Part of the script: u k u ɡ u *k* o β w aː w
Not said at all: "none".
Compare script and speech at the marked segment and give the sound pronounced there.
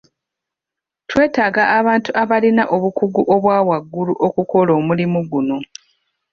ʔ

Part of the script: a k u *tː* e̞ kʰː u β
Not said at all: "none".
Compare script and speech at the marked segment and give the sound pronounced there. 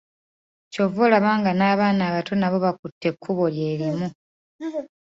tː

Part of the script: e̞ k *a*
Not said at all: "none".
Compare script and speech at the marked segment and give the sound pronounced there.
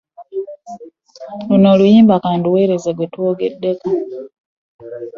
a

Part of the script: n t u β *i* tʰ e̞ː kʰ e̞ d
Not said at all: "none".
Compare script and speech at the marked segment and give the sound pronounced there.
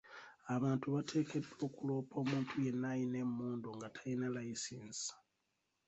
a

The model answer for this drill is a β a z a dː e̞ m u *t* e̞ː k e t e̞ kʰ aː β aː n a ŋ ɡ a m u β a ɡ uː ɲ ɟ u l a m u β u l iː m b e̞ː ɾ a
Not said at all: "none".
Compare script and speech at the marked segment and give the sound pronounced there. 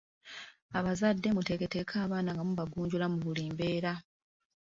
t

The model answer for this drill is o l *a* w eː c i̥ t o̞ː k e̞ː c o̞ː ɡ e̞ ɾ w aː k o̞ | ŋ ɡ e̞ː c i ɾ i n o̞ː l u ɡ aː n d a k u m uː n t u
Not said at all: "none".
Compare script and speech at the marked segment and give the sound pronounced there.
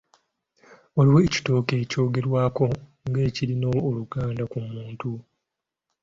i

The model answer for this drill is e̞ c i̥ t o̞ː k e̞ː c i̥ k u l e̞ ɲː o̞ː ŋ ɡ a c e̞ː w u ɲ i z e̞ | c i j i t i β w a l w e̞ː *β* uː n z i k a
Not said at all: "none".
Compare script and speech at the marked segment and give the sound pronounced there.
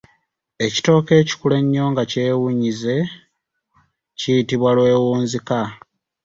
w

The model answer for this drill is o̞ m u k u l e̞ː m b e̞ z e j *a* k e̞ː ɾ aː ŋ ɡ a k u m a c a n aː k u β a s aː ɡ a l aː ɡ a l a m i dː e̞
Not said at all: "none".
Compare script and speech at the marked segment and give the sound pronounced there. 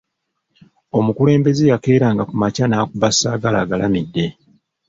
a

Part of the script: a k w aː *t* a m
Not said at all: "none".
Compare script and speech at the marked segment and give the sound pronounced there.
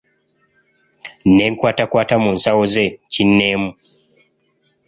t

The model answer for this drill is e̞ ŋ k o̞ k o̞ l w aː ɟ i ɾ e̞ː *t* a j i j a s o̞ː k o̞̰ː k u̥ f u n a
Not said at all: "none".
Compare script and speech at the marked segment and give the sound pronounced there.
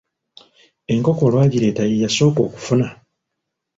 t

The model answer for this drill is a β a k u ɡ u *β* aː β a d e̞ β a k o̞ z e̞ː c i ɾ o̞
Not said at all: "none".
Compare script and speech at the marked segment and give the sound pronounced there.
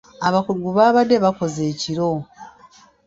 β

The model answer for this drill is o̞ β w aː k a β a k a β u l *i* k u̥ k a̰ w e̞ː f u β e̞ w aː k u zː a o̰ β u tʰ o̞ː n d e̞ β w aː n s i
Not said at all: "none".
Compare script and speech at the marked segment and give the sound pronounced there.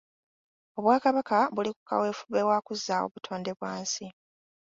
i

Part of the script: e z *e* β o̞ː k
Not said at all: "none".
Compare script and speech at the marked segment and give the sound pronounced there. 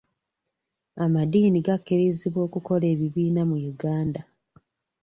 i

